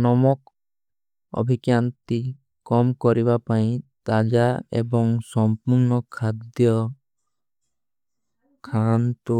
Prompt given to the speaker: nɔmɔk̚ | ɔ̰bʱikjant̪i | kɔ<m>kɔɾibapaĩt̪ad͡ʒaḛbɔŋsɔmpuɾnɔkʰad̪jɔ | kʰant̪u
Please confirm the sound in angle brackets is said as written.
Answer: yes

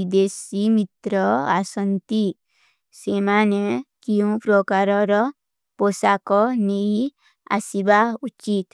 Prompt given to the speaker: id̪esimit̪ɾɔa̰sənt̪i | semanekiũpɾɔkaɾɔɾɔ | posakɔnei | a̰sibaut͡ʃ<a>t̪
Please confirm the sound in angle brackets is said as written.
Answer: no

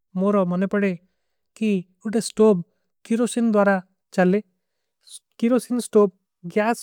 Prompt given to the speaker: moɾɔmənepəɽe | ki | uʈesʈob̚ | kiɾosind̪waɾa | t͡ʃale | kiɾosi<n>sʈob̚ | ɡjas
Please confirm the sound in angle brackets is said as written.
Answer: yes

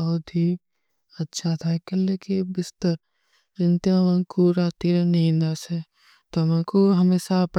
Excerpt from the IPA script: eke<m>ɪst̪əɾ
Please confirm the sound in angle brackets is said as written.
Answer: no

